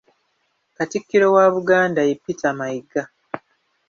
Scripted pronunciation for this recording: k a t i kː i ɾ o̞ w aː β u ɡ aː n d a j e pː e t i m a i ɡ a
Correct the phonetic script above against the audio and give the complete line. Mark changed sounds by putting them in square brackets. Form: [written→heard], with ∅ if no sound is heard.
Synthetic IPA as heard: k a t i kː i ɾ o̞ w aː β u ɡ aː n d a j e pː [e→i] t [i→a] m a i ɡ a